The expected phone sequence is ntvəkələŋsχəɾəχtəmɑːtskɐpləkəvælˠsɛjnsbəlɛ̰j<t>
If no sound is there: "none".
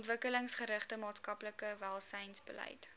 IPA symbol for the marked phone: t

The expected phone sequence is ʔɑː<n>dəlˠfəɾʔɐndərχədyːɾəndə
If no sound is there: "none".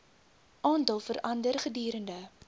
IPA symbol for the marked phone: n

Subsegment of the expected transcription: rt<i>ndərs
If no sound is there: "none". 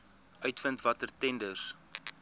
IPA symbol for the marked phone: ɛ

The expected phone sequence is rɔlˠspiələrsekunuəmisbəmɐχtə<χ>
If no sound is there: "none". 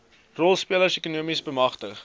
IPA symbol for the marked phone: χ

